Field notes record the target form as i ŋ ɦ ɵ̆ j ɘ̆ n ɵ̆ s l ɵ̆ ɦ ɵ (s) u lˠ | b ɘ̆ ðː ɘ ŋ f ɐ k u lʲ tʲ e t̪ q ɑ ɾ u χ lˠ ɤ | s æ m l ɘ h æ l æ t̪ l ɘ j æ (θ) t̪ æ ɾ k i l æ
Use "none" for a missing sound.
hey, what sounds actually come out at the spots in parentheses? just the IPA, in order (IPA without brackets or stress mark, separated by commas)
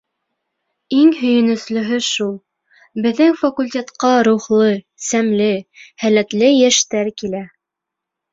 ʃ, ʃ